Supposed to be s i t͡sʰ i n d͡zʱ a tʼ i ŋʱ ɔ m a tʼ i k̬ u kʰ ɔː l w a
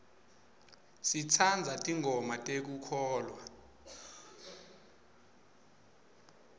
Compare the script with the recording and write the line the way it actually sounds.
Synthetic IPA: s i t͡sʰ a n d͡zʱ a tʼ i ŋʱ ɔ m a tʼ e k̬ u kʰ ɔː l w a